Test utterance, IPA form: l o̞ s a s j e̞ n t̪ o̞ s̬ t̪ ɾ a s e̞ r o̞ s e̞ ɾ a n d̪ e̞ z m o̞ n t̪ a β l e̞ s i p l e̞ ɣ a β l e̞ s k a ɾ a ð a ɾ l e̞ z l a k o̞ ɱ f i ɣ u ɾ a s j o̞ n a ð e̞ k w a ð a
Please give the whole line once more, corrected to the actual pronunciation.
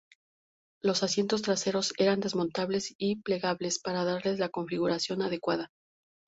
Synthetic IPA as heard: l o̞ s a s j e̞ n t̪ o̞ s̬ t̪ ɾ a s e̞ ɾ o̞ s e̞ ɾ a n d̪ e̞ z m o̞ n t̪ a β l e̞ s i p l e̞ ɣ a β l e̞ s p a ɾ a ð a ɾ l e̞ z l a k o̞ ɱ f i ɣ u ɾ a s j o̞ n a ð e̞ k w a ð a